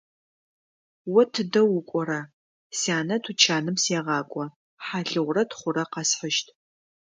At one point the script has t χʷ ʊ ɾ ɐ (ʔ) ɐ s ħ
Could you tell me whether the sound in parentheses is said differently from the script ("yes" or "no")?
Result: yes